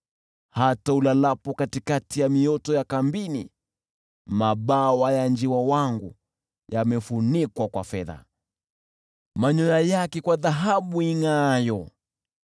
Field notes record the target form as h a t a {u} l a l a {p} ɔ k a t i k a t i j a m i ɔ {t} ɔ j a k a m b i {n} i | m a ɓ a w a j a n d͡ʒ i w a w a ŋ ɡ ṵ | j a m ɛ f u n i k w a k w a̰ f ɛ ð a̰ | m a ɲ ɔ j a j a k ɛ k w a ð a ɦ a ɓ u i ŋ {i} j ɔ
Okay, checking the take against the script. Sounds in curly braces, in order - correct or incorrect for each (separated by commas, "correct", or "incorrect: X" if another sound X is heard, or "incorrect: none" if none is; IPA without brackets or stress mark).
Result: correct, correct, correct, correct, incorrect: a